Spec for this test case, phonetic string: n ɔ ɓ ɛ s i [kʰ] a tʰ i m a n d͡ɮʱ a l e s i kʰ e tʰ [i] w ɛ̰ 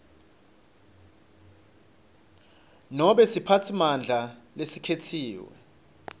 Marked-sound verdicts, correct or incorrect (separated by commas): incorrect, incorrect